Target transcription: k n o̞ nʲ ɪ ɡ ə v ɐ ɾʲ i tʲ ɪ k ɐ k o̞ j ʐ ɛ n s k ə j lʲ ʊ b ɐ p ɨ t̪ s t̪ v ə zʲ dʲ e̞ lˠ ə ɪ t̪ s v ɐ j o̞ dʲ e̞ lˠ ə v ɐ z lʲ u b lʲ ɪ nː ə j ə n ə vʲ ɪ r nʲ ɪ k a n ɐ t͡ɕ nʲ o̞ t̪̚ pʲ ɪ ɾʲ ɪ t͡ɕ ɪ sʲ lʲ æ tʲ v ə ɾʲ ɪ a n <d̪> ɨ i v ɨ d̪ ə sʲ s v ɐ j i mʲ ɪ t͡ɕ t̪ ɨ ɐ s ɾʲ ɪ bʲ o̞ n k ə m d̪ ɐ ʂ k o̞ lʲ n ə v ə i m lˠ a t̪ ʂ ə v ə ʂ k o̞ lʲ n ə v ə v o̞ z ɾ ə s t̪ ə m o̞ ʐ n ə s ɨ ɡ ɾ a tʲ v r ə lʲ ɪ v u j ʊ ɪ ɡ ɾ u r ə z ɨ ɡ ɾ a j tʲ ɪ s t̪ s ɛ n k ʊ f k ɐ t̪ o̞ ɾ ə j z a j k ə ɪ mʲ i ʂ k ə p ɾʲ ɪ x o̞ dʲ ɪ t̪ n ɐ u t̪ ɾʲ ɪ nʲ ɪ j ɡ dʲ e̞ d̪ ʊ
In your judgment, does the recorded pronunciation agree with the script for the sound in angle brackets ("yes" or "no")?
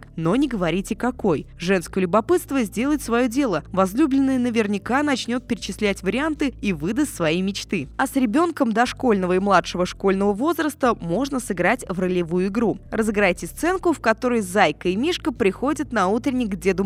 no